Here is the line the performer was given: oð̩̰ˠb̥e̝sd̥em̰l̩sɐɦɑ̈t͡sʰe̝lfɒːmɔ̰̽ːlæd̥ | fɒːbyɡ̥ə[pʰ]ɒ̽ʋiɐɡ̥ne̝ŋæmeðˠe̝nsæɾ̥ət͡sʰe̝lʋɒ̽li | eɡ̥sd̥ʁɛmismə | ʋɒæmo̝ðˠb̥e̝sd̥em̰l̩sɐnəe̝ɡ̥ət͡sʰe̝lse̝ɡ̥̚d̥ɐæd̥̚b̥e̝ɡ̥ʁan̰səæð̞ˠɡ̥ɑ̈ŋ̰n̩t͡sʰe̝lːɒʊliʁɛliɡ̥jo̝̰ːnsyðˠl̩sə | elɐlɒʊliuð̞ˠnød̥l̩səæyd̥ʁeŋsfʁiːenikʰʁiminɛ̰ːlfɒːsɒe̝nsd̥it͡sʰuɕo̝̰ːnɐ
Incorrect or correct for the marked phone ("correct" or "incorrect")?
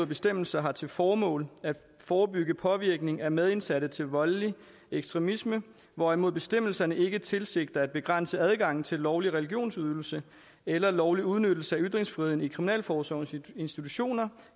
correct